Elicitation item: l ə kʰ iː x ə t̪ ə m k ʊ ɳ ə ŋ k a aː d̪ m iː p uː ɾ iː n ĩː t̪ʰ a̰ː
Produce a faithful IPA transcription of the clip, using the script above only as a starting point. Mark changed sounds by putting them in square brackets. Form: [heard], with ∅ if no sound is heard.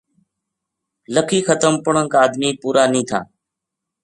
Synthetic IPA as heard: l ə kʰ iː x ə t̪ ə m [p] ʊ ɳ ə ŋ k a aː d̪ m iː p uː ɾ [aː] n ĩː t̪ʰ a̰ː